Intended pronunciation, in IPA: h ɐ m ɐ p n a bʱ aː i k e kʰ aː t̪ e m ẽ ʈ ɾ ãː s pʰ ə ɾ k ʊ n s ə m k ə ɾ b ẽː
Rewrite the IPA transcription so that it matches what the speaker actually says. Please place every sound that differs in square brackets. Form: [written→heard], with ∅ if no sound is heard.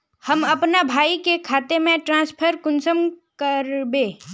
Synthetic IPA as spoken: h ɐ m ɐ p n a bʱ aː i k e kʰ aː t̪ e m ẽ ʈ ɾ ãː s pʰ ə ɾ k ʊ n s ə m k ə ɾ b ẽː

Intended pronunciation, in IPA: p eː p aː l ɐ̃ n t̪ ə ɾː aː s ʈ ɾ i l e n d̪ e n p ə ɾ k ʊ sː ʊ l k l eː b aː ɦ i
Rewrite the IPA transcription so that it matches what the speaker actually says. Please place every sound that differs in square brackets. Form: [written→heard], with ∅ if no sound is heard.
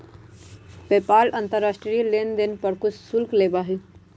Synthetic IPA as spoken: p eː p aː l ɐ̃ n t̪ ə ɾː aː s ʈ ɾ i l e n d̪ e n p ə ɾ k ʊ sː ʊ l k l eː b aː ɦ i

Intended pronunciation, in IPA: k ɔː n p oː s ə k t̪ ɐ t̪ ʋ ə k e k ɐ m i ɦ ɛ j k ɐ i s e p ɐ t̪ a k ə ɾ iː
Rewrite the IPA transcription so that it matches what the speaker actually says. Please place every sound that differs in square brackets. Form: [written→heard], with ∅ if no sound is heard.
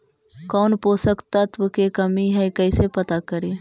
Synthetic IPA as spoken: k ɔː n p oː s ə k t̪ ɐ t̪ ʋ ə k e k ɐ m i ɦ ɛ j k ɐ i s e p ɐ t̪ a k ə ɾ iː

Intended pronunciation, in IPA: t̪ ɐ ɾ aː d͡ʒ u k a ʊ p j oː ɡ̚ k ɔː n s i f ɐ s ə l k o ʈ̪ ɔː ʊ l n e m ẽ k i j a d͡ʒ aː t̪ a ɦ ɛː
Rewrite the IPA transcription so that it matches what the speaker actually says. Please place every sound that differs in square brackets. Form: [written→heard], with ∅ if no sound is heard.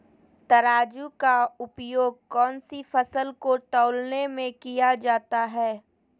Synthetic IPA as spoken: t̪ ɐ ɾ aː d͡ʒ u k a ʊ p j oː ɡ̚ k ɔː n s i f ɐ s ə l k o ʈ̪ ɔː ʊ l n e m ẽ k i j a d͡ʒ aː t̪ a ɦ ɛː

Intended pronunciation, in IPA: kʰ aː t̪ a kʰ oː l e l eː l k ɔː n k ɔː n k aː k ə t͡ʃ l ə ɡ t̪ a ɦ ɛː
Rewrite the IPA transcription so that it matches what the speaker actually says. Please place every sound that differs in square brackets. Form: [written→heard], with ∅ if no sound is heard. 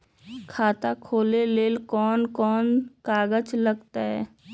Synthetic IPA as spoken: kʰ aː t̪ a kʰ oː l e l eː l k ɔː n k ɔː n k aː [k→ɡ] ə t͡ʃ l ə ɡ t̪ a ɦ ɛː

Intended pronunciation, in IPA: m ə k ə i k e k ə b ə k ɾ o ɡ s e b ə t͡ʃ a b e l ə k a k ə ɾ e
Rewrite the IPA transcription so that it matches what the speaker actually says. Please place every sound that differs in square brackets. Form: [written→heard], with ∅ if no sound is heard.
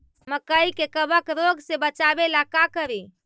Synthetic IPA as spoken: m ə k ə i k e k ə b ə k ɾ o ɡ s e b ə t͡ʃ a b e l [ə→a] k a k ə ɾ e

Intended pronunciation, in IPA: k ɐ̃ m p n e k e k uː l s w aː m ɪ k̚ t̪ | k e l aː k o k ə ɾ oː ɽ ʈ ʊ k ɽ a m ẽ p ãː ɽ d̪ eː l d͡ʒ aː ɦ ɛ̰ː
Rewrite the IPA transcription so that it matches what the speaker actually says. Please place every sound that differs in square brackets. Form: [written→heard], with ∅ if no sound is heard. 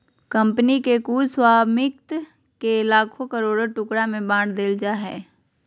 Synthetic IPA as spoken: k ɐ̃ m p n [e→i] k e k uː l s w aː m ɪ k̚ t̪ | k e l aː [k→kʰ] o k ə ɾ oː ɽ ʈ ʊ k ɽ a m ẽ [p→b] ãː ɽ d̪ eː l d͡ʒ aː ɦ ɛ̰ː

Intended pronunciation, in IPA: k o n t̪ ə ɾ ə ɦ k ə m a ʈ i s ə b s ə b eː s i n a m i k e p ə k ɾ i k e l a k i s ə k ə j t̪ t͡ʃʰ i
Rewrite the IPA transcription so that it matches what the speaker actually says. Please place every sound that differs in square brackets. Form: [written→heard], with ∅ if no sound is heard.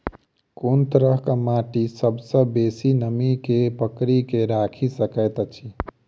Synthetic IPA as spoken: k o n t̪ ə ɾ ə ɦ k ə m a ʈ i s ə b s ə b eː s i n [a→ə] m i k e p ə k ɾ i k e [l→ɾ] a [k→kʰ] i s ə k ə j t̪ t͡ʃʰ i

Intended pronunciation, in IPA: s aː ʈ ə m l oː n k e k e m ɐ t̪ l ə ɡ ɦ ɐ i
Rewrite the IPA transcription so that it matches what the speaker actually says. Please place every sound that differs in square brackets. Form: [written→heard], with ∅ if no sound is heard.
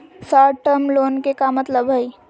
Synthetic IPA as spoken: s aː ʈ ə m l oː n k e k [e→a] m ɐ t̪ l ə [ɡ→b] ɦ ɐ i

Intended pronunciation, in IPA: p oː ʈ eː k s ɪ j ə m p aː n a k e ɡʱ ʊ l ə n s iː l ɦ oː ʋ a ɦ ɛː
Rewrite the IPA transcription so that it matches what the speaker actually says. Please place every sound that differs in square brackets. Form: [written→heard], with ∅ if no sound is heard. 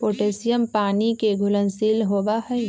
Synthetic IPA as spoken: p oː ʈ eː [k→∅] s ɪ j ə m p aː n [a→i] k e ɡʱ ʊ l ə n s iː l ɦ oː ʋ a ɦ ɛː

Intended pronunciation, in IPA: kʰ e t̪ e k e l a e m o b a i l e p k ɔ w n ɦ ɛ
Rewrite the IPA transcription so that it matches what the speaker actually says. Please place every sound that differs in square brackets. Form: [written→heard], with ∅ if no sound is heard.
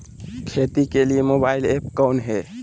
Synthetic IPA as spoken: kʰ e t̪ [e→i] k e l [a→i] e m o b a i l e p k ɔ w n ɦ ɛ

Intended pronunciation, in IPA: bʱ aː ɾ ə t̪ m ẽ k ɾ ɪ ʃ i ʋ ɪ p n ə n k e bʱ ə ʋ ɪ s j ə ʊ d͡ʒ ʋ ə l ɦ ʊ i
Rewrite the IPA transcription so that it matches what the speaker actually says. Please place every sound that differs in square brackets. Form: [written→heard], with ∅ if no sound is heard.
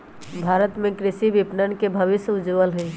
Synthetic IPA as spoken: bʱ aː ɾ ə t̪ m ẽ k ɾ ɪ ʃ i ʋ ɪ p n ə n k e bʱ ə ʋ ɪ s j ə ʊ d͡ʒ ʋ ə l ɦ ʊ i

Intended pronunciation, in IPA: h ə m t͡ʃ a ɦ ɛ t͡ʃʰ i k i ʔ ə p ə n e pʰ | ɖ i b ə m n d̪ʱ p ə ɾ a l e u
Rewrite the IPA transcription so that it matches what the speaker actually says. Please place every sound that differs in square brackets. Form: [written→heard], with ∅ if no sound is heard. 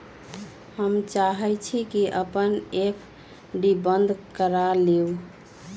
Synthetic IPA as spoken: h ə m t͡ʃ a ɦ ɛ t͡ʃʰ i k i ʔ ə p ə n e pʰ | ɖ i b ə [m→∅] n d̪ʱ [p→k] ə ɾ a l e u

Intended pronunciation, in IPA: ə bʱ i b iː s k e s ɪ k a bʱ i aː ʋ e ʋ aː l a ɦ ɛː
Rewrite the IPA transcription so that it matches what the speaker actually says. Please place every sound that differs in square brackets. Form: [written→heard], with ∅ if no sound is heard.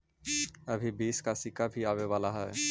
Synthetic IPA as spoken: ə bʱ i b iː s k [e→a] s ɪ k a bʱ i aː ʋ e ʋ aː l a ɦ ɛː

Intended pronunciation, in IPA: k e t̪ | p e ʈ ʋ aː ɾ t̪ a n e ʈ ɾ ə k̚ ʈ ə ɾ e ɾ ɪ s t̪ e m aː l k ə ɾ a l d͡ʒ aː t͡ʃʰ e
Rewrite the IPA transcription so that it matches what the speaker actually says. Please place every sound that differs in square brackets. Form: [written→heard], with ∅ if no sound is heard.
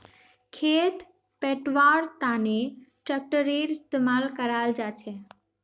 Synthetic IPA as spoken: [k→kʰ] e t̪ | p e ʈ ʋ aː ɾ t̪ a n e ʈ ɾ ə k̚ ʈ ə ɾ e ɾ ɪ s t̪ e m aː l k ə ɾ a l d͡ʒ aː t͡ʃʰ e

